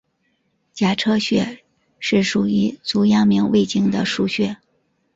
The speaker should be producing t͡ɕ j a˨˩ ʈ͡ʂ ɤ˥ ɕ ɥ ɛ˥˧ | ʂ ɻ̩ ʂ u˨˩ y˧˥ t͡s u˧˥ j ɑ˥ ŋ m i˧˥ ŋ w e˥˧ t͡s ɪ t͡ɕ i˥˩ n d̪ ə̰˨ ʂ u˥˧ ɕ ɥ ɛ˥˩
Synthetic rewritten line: t͡ɕ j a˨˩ ʈ͡ʂʰ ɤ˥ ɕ ɥ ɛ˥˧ | ʂ ɻ̩ ʂ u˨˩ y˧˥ t͡s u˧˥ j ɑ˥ ŋ m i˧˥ ŋ w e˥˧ ɪ t͡ɕ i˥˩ ŋ d̪ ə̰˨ ʂ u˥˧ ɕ ɥ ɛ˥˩